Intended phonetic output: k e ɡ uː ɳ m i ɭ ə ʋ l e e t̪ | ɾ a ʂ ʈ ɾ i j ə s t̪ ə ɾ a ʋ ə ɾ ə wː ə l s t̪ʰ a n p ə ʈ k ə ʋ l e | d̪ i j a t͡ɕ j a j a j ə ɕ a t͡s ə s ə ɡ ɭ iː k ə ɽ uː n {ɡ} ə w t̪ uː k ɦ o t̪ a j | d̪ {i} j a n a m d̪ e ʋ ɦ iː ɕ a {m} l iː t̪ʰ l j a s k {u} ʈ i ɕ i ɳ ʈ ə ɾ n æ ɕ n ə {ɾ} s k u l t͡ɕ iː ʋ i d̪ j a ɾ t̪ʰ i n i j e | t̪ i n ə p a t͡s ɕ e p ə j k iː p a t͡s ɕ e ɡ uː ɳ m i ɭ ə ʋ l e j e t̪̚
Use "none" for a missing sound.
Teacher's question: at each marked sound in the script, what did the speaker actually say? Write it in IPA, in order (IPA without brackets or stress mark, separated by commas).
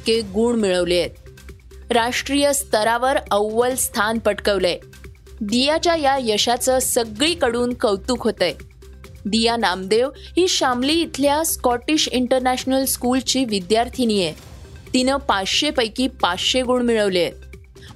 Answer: k, i, m, ɔ, l